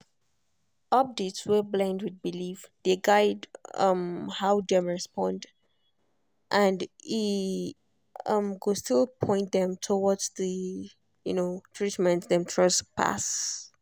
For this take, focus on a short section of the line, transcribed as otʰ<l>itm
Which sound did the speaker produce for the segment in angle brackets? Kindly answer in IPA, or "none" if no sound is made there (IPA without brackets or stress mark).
ɹ